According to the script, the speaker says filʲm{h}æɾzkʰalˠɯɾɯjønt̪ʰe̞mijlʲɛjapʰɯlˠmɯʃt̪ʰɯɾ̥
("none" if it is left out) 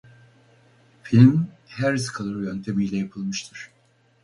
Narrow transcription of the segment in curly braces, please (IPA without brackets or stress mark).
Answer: h